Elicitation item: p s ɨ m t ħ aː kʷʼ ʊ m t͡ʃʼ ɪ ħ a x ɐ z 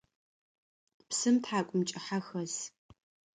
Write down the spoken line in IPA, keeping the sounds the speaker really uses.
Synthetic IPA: p s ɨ m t ħ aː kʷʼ ʊ m t͡ʃʼ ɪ ħ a x ɐ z

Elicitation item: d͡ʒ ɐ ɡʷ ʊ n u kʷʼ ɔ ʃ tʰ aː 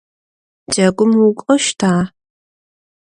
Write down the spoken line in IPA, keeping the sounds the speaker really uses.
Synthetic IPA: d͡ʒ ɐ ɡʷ ʊ m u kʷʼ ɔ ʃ tʰ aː

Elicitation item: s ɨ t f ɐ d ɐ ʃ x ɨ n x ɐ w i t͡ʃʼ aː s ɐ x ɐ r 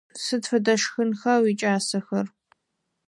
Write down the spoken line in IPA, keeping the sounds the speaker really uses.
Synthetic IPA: s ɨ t f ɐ d ɐ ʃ x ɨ n x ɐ w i t͡ʃʼ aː s ɐ x ɐ r

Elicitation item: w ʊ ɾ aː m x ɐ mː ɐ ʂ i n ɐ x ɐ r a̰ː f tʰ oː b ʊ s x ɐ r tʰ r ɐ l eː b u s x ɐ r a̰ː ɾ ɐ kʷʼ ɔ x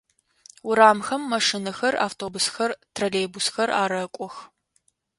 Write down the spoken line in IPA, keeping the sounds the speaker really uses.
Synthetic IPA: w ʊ ɾ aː m x ɐ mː ɐ ʂ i n ɐ x ɐ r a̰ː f tʰ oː b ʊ s x ɐ r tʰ r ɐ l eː b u s x ɐ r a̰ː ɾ ɐ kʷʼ ɔ x

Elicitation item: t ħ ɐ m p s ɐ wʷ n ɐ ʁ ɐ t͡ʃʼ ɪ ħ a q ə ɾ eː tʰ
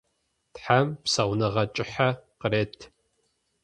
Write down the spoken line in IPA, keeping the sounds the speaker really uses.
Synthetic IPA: t ħ a m p s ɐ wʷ n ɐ ʁ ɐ t͡ʃʼ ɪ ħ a q ə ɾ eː tʰ

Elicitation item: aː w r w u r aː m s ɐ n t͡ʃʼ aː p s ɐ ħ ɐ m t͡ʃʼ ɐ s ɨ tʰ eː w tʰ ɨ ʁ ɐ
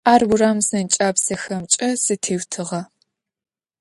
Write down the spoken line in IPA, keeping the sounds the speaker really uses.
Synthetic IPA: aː r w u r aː m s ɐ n t͡ʃʼ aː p s ɐ x ɐ m t͡ʃʼ ɐ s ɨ tʰ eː w tʰ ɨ ʁ ɐ

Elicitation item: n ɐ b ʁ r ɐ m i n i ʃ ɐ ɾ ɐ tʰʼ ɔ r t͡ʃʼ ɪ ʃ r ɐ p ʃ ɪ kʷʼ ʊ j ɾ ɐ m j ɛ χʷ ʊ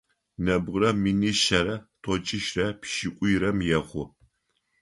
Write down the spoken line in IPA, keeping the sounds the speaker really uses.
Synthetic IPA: n ɐ b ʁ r ɐ m i n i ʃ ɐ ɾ ɐ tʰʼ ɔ t͡ʃʼ ɪ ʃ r ɐ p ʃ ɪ kʷʼ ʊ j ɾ ɐ m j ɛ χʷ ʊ

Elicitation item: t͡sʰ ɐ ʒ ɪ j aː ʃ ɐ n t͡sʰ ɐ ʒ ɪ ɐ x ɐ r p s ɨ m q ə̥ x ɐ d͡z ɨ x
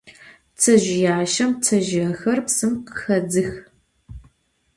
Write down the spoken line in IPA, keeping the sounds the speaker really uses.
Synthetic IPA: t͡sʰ ɐ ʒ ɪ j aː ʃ ɐ m t͡sʰ ɐ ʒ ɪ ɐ x ɐ r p s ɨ m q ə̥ x ɐ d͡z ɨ x

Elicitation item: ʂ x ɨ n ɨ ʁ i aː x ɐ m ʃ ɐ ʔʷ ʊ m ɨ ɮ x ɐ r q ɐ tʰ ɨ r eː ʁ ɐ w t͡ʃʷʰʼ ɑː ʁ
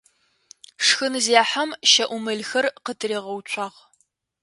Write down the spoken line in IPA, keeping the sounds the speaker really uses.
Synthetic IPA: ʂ x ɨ n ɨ z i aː ħ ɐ m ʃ ɐ ʔʷ ʊ m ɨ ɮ x ɐ r q ə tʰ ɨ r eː ʁ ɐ w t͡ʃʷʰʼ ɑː ʁ

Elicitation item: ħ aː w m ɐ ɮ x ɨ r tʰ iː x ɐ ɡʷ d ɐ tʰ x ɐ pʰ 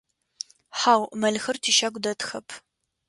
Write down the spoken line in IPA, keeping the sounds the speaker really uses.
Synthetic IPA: ħ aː w m ɐ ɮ x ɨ r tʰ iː ʃ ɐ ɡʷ d ɐ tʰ x ɐ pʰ

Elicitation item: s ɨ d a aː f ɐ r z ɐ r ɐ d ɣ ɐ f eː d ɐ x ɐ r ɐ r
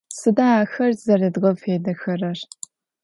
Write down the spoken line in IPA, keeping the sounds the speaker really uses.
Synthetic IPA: s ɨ d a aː x ɐ r z ɐ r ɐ d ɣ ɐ f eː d ɐ x ɐ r ɐ r

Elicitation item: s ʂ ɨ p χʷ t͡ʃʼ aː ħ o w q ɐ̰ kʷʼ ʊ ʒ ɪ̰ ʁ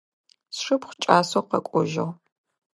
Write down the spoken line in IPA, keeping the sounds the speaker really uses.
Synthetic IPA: s ʂ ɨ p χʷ t͡ʃʼ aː s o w q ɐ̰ kʷʼ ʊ ʒ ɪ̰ ʁ

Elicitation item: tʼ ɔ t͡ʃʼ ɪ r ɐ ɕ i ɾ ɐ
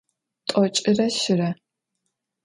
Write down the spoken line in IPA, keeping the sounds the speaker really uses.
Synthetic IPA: tʼ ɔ t͡ʃʼ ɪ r ɐ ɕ ɪ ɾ ɐ

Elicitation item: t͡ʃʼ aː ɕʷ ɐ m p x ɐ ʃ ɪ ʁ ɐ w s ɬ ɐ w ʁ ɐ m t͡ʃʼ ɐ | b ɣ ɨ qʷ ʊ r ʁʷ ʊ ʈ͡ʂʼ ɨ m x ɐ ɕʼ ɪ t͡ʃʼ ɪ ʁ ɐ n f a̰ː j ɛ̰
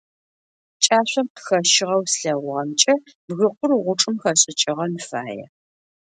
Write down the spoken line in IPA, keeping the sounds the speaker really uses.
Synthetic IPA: t͡ʃʼ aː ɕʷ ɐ m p x ɐ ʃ ɪ ʁ ɐ w s ɬ ɐ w ʁ ɐ m t͡ʃʼ ɐ | b ɣ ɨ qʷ ʊ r ʁʷ ʊ ʈ͡ʂʼ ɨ m x ɐ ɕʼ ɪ t͡ʃʼ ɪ ʁ ɐ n f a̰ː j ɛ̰

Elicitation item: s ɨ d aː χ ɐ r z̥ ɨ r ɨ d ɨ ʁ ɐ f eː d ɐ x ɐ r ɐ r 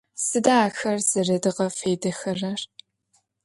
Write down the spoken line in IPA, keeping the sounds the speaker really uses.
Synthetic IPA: s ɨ d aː x ɐ r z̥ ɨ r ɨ d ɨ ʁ ɐ f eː d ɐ x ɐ r ɐ r

